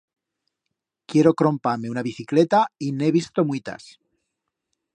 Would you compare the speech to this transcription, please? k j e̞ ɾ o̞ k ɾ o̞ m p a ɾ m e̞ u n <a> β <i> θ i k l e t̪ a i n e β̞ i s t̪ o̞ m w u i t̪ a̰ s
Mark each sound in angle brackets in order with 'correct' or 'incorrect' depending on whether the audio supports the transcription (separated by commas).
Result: correct, correct